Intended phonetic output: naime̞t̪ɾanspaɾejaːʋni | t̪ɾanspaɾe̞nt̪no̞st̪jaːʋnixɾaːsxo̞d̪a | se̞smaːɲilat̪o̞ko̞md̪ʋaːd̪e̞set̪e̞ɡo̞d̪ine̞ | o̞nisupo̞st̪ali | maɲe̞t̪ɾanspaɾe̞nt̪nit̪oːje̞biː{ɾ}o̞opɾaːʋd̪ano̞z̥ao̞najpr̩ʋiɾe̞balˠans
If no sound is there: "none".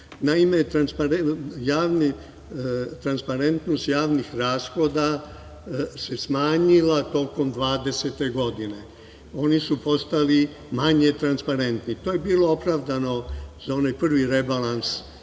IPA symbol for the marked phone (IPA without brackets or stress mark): l